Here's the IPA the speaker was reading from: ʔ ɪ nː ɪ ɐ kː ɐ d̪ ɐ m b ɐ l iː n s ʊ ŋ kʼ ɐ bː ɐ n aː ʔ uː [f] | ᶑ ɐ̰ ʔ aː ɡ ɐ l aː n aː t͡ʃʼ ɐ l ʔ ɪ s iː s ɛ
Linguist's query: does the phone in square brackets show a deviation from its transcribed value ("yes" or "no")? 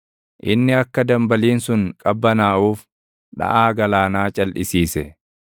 no